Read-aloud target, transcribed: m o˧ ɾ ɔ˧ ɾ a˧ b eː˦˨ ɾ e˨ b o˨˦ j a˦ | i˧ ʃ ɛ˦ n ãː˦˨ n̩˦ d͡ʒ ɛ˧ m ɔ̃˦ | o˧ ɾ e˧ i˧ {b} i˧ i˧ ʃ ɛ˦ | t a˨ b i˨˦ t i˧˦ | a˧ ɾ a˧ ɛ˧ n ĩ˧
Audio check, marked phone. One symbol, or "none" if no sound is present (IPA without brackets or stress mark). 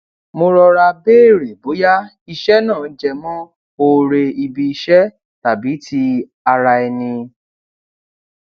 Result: b